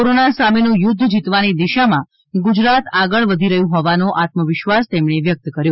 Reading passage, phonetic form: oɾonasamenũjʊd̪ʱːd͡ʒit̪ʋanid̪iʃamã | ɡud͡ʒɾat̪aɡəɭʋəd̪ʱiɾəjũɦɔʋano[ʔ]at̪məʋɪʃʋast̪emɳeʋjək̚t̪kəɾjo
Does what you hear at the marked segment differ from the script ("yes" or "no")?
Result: no